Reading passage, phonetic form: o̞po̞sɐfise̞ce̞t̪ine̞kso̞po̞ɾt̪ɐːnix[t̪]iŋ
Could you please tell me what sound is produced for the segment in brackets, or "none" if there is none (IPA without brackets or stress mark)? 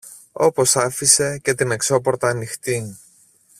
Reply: t̪